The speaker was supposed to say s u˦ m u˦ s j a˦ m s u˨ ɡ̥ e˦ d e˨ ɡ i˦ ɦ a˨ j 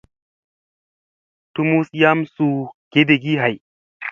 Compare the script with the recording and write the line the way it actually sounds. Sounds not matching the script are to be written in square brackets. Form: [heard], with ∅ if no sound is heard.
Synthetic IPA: [t] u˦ m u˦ s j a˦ m s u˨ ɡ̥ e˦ d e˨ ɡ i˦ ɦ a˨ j